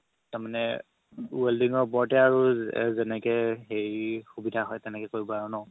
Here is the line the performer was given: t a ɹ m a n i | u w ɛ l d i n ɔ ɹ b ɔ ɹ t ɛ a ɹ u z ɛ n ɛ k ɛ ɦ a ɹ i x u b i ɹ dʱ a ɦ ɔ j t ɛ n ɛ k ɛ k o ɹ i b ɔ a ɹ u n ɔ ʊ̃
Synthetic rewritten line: t a ɹ m a n ɛ | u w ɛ l d i ŋ ɔ ɹ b ɔ ɹ t ɛ a ɹ u z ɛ n ɛ k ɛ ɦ e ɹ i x u b i dʱ a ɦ ɔ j t ɛ n ɛ k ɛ k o ɹ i b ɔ a ɹ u n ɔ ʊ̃

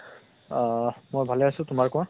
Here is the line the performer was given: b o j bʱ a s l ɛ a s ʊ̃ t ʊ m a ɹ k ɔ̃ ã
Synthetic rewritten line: m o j bʱ a l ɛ a s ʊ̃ t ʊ m a ɹ k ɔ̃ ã

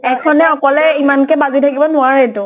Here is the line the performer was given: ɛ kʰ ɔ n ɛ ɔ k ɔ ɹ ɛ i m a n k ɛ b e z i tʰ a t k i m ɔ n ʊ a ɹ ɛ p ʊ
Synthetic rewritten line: ɛ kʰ ɔ n ɛ ɔ k ɔ l ɛ i m a n k ɛ b a z i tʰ a k i b ɔ n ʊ a ɹ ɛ t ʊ

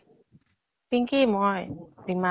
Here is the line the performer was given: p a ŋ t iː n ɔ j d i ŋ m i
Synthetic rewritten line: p i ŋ k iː m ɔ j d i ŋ m a

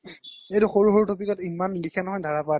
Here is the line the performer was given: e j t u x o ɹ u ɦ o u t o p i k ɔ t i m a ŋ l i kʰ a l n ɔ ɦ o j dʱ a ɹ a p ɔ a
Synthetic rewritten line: e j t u x o ɹ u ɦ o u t o p i k ɔ t i m a n l i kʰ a n ɔ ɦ ɔ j dʱ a ɹ a p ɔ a

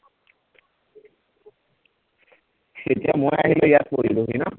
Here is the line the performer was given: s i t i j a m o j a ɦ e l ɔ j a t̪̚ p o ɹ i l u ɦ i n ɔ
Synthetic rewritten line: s e t i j a m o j a ɦ i l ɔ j a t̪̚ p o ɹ i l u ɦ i n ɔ

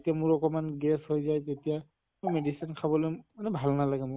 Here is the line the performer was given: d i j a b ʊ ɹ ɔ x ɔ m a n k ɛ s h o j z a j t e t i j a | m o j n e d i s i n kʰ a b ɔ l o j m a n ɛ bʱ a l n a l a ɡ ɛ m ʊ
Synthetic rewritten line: t i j a m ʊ ɹ ɔ k ɔ m a n ɡ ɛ s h o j z a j t e t i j a | m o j m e d i s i n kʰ a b ɔ l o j m a n ɛ bʱ a l n a l a ɡ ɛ m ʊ

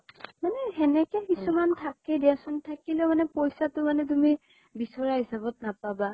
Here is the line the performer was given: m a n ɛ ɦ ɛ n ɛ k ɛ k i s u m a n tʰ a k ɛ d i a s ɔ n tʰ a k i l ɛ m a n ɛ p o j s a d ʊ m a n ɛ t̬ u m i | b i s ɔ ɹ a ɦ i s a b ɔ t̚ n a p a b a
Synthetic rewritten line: m a n ɛ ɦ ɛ n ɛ k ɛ k i s u m a n tʰ a k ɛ d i a s ɔ n tʰ a k i l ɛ m a n ɛ p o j s a t ʊ m a n ɛ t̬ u m i | b i s ɔ ɹ a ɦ i s a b ɔ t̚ n a p a b a

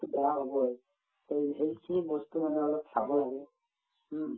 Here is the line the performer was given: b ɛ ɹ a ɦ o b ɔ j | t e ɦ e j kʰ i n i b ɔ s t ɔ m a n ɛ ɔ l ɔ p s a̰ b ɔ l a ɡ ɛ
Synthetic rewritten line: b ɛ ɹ a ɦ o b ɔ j | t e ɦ e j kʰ i n i b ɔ s t u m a n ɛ ɔ l ɔ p s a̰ b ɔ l a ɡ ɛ

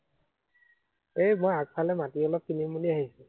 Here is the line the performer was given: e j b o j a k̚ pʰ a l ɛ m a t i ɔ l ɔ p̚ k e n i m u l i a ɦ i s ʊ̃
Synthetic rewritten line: e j m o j a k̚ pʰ a l ɛ m a t i ɔ l ɔ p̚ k i n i m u l i a ɦ i s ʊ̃

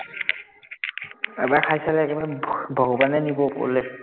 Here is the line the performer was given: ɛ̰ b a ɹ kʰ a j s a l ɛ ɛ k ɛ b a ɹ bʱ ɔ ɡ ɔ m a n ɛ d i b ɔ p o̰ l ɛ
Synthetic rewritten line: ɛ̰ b a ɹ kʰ a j s a l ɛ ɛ k ɛ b a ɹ bʱ ɔ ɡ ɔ b a n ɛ n i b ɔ p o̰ l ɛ

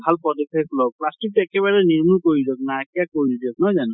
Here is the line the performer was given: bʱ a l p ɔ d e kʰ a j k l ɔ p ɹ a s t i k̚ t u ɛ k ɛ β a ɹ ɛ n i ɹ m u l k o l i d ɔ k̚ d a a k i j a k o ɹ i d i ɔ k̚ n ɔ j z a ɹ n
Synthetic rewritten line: bʱ a l p ɔ d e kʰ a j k l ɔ p l a s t i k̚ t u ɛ k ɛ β a ɹ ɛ n i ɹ m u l k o ɹ i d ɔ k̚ n a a k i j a k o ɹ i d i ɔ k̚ n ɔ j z a n

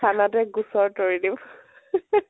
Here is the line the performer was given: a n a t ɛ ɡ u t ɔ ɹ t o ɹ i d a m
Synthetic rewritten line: a n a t ɛ ɡ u s ɔ ɹ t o ɹ i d i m

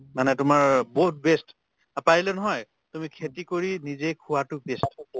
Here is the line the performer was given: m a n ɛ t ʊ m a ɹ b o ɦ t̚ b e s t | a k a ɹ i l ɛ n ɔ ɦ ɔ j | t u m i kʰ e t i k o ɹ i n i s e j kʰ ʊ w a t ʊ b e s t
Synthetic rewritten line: m a n ɛ t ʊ m a ɹ b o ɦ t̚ b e s t | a p a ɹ i l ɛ n ɔ ɦ ɔ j | t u m i kʰ e t i k o ɹ i n i z e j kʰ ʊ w a t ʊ b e s t

